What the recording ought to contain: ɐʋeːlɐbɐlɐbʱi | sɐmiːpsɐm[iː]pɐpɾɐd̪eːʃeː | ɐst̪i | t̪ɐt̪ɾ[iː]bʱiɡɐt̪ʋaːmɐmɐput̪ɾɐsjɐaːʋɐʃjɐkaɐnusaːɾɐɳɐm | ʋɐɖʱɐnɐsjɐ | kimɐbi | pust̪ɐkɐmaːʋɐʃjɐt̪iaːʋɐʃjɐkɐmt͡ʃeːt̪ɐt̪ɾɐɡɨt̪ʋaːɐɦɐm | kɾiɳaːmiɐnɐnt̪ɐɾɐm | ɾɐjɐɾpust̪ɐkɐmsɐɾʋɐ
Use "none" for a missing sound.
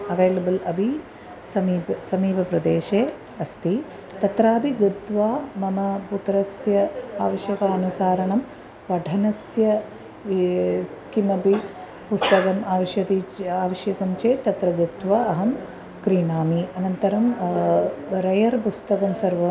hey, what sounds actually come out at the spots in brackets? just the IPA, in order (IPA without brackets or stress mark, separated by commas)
iː, aː